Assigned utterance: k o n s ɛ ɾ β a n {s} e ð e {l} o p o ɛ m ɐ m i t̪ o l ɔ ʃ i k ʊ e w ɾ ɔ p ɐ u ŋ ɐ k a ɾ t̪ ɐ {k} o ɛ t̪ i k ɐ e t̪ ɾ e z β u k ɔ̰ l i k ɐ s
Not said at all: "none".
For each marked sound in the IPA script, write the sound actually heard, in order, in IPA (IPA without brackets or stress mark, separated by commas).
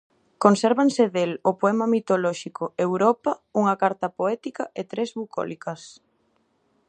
s, l, p